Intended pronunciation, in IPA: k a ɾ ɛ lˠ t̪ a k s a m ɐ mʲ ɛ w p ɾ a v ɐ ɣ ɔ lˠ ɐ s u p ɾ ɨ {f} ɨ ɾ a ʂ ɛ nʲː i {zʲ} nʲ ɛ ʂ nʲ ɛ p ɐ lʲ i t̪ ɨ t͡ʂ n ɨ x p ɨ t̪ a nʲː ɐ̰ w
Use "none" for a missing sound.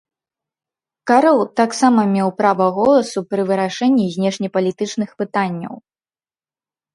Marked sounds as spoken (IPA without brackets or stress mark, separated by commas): v, zʲ